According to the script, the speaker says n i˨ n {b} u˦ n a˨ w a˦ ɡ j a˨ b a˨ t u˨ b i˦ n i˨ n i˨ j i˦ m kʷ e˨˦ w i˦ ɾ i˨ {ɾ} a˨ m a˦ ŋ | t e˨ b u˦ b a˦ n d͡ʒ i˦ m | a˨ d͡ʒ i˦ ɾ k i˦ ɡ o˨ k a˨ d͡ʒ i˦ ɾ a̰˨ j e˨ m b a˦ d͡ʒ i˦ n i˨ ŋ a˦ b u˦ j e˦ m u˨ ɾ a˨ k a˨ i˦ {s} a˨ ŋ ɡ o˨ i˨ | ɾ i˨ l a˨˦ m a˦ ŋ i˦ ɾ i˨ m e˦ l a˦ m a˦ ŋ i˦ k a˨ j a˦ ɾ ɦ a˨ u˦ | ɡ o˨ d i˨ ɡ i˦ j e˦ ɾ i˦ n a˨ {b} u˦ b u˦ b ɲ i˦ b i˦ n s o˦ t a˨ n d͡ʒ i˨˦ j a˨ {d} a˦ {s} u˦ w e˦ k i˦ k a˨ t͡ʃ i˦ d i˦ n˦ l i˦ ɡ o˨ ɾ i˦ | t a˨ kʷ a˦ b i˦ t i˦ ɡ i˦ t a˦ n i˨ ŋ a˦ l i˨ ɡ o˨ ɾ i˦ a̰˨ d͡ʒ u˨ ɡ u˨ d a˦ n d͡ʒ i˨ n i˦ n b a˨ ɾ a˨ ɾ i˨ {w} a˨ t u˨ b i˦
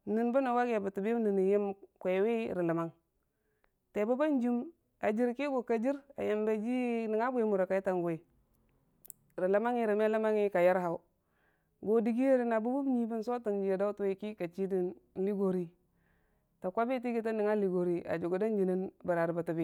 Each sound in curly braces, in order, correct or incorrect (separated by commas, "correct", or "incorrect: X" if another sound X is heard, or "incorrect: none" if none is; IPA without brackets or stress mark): correct, incorrect: l, incorrect: t, correct, correct, incorrect: t, incorrect: b